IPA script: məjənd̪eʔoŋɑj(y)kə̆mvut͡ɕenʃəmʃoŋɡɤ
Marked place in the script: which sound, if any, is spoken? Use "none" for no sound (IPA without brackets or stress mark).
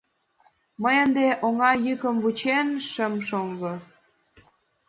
y